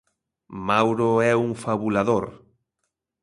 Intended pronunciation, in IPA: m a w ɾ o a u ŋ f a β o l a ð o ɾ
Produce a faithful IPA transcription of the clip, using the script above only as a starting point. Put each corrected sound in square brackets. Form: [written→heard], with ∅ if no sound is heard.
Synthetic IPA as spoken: m a w ɾ o [a→ɛ] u ŋ f a β [o→u] l a ð o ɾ